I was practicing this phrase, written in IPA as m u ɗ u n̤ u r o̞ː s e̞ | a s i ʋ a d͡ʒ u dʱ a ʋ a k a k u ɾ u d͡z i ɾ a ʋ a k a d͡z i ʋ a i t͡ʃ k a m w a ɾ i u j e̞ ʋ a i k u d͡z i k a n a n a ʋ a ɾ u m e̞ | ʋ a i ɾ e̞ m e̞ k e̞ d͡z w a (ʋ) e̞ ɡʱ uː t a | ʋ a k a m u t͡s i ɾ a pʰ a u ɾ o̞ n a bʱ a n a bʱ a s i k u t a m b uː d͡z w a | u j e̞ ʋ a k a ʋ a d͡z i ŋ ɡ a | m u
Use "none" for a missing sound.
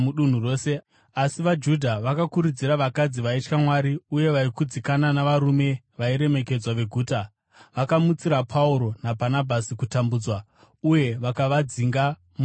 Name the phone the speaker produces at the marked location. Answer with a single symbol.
ʋ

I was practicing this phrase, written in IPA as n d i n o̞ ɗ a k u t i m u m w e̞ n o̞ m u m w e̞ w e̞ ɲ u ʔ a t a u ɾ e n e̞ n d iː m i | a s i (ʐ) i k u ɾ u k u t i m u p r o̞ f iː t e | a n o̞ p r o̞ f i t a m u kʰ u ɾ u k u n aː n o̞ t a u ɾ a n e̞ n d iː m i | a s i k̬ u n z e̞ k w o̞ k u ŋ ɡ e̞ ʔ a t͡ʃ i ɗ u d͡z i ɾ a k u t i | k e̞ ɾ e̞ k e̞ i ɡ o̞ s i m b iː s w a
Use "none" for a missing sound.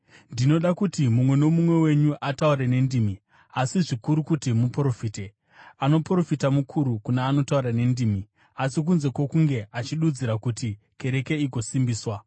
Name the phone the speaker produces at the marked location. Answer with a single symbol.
ʐ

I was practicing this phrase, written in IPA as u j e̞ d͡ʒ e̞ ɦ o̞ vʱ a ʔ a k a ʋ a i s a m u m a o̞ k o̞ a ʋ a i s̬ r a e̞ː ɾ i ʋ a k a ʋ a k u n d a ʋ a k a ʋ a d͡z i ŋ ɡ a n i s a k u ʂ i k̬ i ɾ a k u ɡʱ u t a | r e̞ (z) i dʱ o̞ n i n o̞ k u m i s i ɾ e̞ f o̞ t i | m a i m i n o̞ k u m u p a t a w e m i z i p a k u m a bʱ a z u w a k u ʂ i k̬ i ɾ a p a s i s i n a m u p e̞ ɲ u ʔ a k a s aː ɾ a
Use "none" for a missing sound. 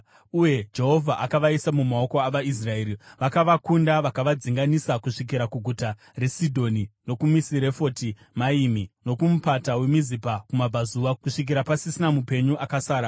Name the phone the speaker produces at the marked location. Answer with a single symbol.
s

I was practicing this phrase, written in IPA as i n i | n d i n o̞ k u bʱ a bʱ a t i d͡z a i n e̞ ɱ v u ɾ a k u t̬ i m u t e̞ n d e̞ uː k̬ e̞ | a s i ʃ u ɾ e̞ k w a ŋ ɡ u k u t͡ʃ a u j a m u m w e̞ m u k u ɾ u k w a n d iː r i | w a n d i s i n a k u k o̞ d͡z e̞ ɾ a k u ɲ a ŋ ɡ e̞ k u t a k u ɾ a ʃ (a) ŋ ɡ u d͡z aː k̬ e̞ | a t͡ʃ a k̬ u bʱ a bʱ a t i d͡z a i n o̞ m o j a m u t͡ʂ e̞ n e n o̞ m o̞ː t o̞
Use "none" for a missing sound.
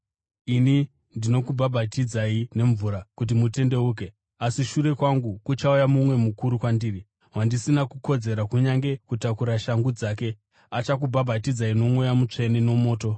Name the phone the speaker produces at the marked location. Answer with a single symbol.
a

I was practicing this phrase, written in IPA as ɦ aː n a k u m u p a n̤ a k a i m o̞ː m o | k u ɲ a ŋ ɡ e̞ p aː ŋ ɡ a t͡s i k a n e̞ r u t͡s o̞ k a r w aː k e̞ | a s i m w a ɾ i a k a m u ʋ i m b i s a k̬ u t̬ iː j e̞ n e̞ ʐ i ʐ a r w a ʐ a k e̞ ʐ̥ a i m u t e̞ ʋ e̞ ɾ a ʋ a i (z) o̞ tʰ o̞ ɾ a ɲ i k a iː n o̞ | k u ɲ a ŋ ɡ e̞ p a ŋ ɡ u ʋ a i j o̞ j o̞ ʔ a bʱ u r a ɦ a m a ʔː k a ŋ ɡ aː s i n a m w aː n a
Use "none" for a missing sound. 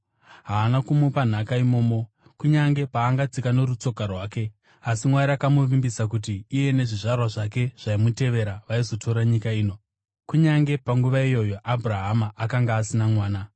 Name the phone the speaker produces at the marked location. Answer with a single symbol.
z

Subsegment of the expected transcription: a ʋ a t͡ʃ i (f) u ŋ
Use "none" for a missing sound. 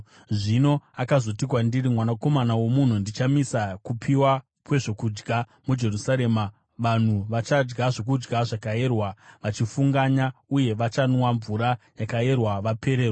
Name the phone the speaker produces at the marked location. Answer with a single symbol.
f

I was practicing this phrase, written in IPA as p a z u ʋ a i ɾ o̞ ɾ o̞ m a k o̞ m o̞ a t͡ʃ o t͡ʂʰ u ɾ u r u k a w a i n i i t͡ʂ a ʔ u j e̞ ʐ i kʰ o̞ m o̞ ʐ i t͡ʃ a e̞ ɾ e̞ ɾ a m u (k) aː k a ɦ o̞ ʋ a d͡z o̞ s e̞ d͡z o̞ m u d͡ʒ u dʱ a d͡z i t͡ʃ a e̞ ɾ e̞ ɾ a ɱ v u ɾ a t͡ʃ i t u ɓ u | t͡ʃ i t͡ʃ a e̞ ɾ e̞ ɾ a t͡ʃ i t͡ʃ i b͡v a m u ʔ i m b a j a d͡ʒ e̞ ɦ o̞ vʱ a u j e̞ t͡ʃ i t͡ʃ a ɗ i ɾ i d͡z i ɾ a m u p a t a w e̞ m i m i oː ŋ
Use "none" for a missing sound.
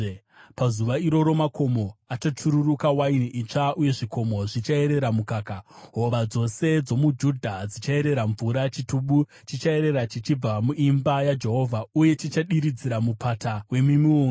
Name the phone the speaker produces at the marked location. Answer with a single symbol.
k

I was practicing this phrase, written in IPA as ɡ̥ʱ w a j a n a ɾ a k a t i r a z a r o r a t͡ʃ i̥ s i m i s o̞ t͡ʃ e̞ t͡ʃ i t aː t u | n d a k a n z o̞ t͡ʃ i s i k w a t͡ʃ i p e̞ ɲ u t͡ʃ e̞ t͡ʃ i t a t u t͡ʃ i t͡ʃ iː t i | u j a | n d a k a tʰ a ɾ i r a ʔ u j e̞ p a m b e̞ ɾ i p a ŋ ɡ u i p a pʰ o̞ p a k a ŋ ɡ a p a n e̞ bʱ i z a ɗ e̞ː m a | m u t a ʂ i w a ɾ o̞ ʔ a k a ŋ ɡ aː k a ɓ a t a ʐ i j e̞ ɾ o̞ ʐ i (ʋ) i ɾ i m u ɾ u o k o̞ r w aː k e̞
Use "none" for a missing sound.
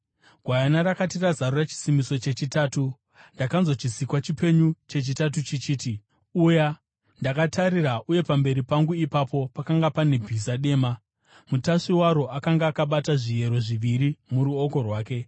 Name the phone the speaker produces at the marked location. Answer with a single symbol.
ʋ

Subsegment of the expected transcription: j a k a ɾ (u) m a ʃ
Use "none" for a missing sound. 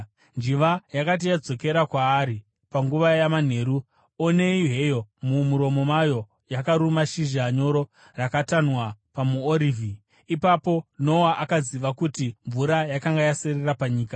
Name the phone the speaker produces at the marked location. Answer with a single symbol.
u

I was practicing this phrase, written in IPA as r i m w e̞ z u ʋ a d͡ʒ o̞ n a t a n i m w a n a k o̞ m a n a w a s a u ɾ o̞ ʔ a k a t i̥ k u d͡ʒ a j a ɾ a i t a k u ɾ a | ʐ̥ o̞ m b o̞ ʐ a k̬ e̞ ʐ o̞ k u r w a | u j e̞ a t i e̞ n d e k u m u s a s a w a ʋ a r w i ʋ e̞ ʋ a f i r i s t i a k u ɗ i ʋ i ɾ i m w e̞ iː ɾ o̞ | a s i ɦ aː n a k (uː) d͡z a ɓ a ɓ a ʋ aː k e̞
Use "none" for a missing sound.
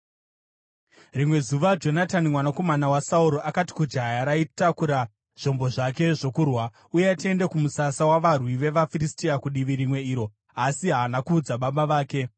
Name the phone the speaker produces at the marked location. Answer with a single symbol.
uː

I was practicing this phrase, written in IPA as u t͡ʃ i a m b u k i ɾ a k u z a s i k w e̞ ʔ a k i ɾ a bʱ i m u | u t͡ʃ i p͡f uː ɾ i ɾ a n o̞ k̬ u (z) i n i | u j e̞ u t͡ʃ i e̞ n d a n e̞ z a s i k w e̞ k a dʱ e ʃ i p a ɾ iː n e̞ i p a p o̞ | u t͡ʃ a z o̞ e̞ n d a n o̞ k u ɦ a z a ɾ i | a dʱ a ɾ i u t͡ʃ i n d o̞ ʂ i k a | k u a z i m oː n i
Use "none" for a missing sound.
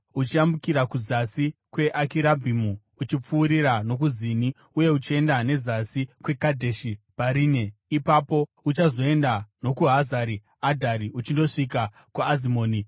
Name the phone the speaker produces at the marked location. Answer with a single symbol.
z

